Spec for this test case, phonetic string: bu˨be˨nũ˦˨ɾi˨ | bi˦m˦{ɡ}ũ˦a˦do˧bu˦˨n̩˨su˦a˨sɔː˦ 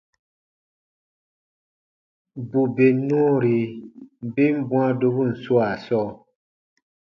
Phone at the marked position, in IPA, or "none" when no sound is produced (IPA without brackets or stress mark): b